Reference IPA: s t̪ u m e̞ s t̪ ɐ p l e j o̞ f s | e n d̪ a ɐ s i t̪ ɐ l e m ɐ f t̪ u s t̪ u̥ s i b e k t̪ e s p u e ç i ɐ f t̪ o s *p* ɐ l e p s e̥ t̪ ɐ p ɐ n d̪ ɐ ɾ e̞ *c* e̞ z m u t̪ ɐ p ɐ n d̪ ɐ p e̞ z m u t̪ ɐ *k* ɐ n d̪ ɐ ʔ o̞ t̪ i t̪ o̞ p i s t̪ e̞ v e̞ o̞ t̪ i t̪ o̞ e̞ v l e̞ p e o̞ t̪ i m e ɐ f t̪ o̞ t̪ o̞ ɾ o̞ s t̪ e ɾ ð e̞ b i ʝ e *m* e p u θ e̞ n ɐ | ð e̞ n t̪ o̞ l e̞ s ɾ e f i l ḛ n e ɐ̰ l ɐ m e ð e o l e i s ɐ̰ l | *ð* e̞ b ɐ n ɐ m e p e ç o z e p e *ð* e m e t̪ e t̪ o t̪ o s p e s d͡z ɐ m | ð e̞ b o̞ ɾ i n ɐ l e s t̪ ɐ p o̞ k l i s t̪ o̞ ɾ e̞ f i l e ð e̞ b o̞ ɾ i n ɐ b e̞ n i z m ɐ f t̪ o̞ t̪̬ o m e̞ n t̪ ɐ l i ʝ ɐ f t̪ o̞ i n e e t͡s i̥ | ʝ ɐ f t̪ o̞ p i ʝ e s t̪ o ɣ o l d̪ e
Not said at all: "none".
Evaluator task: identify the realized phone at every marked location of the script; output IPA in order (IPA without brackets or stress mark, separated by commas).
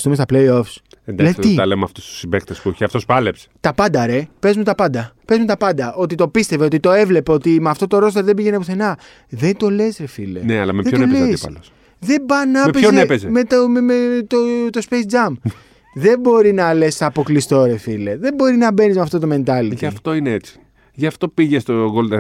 p, p, p, n, ð, z